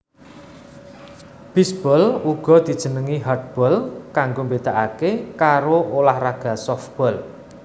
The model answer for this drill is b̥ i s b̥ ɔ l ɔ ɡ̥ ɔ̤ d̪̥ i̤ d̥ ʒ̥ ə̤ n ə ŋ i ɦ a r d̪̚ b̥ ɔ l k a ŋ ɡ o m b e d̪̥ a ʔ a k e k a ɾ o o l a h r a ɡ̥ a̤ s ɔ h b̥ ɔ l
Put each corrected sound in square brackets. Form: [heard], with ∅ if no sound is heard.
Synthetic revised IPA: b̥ i s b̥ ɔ l [u] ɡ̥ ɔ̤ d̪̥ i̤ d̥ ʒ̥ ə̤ n ə ŋ i ɦ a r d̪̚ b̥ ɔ l k a ŋ ɡ o m b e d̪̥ a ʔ a k e k a ɾ o o l a h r a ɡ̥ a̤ s ɔ [f] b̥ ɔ l